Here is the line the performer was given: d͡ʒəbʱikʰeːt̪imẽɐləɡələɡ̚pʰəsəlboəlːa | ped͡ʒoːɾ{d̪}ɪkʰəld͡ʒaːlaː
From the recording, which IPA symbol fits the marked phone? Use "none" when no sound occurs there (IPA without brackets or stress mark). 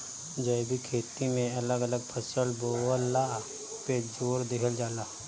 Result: d̪